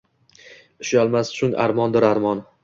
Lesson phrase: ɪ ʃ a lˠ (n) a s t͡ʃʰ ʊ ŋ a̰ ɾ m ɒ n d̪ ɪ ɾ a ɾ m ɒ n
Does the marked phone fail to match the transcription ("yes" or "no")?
yes